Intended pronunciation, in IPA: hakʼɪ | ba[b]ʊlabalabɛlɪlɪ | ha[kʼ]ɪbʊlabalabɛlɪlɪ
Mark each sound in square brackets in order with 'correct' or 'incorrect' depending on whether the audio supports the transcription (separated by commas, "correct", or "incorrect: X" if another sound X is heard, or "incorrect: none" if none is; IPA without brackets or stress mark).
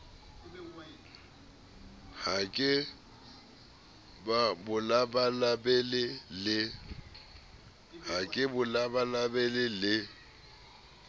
correct, correct